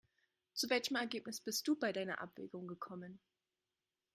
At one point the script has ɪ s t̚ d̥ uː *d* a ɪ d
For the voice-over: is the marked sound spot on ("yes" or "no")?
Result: no